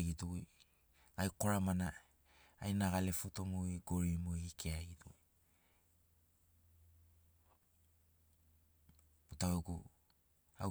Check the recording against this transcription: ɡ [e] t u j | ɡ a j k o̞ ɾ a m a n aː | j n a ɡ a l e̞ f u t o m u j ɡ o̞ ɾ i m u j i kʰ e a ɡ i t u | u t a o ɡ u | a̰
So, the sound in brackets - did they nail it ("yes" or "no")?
no